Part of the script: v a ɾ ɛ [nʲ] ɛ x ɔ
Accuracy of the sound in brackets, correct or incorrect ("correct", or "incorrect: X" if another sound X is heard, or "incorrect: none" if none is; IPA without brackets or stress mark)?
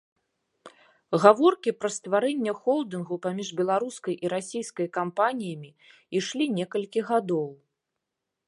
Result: incorrect: nʲː